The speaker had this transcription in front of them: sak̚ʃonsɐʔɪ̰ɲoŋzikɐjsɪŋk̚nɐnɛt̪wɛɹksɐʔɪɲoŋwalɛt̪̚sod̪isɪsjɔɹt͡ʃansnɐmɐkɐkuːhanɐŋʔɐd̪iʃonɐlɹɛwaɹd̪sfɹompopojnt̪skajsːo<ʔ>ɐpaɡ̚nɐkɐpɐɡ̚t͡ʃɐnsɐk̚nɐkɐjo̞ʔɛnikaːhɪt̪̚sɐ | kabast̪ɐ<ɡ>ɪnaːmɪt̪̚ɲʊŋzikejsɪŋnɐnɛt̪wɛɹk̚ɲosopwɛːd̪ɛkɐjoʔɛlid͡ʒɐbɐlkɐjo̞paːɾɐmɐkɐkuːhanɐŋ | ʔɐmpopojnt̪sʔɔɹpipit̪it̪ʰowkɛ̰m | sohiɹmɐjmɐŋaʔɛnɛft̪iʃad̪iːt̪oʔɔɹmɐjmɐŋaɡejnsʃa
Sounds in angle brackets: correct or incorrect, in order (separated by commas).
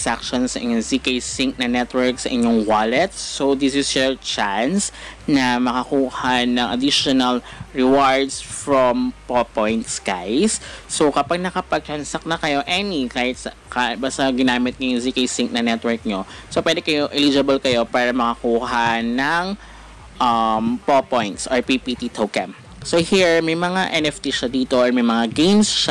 incorrect, correct